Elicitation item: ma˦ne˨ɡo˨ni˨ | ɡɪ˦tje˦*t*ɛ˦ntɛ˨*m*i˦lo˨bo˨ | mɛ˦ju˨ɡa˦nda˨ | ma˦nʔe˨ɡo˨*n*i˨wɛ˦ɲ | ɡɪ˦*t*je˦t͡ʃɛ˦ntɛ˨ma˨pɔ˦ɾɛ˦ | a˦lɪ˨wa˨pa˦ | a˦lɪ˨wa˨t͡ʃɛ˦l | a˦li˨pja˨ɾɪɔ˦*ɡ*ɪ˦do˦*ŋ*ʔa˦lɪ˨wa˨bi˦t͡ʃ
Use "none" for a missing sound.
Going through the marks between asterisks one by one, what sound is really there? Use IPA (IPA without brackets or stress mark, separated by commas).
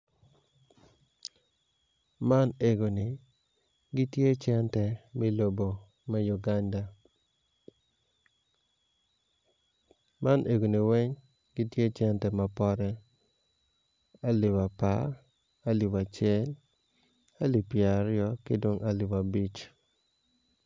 t͡ʃ, m, n, t, k, ŋ